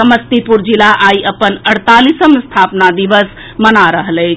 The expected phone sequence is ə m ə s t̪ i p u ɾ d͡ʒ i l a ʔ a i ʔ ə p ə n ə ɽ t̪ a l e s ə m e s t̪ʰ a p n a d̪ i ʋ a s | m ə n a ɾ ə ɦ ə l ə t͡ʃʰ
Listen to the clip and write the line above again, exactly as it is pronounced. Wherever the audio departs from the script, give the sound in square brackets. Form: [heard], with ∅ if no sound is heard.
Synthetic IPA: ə m ə s t̪ i p u ɾ d͡ʒ i l a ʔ a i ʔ ə p ə n ə ɽ t̪ a l [i] s ə m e s t̪ʰ a p n a d̪ i ʋ [ə] s | m ə n a ɾ ə ɦ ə l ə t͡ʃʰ

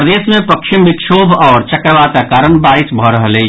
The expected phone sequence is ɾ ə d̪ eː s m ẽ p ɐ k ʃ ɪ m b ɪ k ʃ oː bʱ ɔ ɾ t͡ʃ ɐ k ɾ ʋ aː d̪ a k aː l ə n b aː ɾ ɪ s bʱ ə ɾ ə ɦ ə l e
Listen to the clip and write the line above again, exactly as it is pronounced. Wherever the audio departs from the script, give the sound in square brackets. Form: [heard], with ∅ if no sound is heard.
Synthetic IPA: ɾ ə d̪ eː s m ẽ p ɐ k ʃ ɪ m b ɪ k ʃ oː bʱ [ɔː] ɾ t͡ʃ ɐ k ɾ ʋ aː [t̪] a k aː [ɾ] ə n b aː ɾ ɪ s bʱ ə ɾ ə ɦ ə l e

